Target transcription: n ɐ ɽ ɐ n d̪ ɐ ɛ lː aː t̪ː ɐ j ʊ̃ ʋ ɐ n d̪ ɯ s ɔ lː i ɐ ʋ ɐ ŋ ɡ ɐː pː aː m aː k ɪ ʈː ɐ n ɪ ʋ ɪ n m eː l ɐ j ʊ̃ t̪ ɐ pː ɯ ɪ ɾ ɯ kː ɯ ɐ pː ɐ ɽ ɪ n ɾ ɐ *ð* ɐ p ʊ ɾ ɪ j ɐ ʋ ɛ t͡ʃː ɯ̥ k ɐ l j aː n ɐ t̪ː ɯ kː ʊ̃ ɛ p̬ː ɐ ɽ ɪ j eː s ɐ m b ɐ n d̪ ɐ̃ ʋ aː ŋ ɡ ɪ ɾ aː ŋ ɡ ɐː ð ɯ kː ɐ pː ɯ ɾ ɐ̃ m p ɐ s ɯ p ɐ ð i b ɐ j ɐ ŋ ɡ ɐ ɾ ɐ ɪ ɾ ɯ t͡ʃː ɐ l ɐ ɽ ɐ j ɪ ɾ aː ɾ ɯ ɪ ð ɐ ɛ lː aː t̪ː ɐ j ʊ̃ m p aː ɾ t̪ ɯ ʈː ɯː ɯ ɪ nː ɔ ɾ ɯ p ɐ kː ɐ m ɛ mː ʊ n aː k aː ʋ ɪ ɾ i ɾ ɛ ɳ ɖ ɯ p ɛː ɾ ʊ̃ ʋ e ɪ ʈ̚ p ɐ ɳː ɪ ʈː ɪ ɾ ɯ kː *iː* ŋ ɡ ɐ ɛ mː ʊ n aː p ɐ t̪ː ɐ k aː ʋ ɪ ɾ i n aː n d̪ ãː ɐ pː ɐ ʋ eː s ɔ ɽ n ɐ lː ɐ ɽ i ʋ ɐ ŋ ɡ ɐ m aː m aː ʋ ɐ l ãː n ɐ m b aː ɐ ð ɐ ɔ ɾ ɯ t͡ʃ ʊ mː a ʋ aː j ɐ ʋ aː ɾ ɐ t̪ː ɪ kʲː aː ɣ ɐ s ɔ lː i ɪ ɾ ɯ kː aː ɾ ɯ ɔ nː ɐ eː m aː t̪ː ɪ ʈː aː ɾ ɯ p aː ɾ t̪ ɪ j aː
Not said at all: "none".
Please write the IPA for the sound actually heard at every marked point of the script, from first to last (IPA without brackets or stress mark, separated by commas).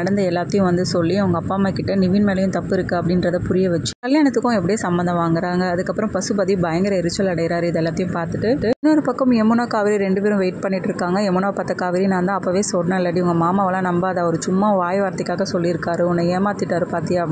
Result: ð, aː